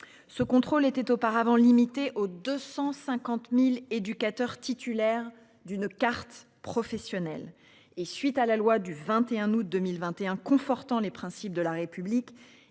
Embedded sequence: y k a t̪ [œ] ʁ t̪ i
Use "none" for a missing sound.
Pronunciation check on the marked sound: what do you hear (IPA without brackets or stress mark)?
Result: œ